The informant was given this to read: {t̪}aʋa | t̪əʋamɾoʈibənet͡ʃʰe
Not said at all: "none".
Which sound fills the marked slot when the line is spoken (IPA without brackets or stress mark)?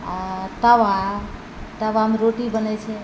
t̪